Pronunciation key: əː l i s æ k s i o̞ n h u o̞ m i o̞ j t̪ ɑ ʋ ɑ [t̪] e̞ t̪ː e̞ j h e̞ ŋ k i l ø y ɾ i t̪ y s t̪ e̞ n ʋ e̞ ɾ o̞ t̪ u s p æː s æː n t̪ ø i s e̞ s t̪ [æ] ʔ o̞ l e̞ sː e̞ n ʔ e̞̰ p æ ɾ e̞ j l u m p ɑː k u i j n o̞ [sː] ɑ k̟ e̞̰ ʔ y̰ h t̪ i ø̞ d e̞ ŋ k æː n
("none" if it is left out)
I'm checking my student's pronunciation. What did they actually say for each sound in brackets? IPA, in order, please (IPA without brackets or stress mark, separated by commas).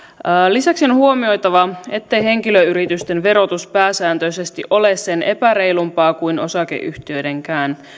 none, i, s